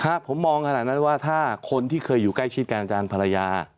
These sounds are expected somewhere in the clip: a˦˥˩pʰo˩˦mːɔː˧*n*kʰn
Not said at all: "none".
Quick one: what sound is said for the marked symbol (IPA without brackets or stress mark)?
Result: ŋ